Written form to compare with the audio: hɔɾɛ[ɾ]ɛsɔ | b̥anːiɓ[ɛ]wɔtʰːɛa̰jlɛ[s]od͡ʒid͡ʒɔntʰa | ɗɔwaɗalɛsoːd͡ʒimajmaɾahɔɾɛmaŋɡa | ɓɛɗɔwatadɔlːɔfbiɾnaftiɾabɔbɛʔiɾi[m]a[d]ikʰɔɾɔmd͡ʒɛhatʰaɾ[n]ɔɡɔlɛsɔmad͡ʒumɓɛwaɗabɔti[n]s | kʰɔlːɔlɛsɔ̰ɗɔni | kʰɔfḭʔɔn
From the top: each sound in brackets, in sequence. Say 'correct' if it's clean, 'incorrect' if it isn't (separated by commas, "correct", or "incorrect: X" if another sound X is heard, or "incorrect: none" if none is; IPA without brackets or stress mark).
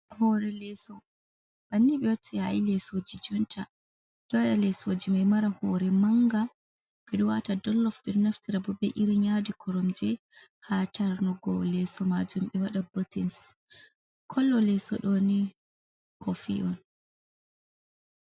incorrect: l, correct, correct, incorrect: ɲ, correct, correct, correct